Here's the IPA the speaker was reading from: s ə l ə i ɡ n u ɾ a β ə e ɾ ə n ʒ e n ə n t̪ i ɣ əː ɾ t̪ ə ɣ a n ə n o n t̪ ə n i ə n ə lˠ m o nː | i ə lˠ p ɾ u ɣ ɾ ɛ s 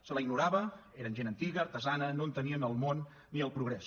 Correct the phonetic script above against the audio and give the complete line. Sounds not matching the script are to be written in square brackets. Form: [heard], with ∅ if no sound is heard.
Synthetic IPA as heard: s ə l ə i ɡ n u ɾ a β ə e ɾ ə n ʒ e n ə n t̪ i ɣ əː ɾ t̪ ə [z] a n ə n o n t̪ ə n i ə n ə lˠ m o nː | i ə lˠ p ɾ u ɣ ɾ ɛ s